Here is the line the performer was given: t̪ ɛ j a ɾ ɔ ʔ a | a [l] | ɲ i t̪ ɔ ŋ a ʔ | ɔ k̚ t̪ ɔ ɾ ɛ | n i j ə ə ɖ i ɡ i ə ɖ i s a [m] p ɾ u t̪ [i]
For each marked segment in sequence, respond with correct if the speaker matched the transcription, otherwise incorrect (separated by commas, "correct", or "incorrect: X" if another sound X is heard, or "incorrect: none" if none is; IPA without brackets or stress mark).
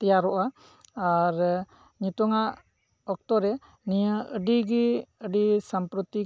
incorrect: ɾ, correct, correct